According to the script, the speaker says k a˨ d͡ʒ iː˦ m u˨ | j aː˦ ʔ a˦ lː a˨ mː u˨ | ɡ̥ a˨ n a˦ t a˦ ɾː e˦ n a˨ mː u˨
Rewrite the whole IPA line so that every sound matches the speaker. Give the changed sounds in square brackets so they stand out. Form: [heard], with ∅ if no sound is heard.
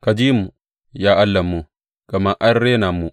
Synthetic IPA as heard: k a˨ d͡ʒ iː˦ m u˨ | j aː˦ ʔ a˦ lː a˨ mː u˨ | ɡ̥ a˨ [m] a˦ [ʔ] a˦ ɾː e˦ n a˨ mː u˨